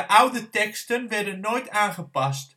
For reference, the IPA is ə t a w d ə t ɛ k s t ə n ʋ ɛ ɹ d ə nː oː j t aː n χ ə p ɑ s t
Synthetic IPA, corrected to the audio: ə ʔ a w d ə t ɛ k s t ə n ʋ ɛ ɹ d ə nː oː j t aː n χ ə p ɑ s t